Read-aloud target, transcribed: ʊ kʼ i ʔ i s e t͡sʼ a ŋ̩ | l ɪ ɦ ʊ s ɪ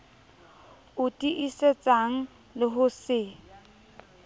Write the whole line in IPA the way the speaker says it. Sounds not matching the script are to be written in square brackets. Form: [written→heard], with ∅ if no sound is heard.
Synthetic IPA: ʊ [kʼ→tʼ] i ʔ i s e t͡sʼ a ŋ̩ | l ɪ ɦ ʊ s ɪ

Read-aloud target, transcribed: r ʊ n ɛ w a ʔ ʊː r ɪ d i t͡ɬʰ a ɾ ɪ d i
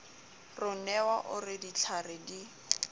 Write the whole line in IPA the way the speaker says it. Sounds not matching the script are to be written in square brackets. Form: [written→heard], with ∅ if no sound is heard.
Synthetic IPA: r ʊ n ɛ w a ʔ [ʊː→ʊ] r ɪ d i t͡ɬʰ a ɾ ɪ d i

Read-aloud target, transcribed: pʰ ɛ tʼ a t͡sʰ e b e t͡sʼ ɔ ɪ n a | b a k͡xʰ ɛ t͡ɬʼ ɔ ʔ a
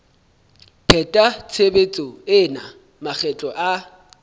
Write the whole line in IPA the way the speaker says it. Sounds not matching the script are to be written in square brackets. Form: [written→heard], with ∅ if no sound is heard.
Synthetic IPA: pʰ ɛ tʼ a t͡sʰ e b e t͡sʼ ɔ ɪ n a | [b→m] a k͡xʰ ɛ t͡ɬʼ ɔ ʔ a

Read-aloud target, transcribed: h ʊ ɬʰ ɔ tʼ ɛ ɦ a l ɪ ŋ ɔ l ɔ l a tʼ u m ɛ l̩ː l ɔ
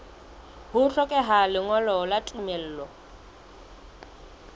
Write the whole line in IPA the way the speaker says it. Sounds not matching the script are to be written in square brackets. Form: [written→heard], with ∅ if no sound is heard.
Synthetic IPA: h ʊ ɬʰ ɔ [tʼ→kʼ] ɛ ɦ a l ɪ ŋ ɔ l ɔ l a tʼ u m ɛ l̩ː l ɔ

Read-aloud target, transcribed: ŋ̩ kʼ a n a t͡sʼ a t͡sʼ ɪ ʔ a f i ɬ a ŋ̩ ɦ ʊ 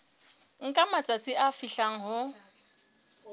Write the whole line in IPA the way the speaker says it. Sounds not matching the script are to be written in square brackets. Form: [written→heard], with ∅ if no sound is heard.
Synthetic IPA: ŋ̩ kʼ a [n→m] a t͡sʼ a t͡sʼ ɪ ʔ a f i ɬ a ŋ̩ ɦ ʊ

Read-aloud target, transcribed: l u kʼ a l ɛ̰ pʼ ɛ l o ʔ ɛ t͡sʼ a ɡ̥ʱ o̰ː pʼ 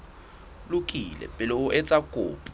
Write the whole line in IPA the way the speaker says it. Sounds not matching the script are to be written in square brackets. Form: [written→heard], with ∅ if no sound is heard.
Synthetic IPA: l u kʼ [a→i] l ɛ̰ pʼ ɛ l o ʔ ɛ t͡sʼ a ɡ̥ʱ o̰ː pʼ

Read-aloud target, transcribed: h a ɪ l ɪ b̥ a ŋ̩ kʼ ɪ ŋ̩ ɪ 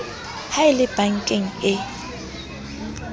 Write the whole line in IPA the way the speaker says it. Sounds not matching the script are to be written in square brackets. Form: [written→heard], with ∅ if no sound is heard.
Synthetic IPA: h a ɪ l ɪ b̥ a ŋ̩ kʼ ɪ ŋ̩ ɪ

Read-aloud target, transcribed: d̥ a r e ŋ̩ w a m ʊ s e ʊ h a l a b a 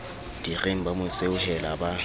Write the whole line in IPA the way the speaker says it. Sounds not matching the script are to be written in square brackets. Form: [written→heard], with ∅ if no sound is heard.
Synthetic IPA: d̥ [a→i] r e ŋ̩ [w→b] a m ʊ s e ʊ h [a→ɛ] l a b a

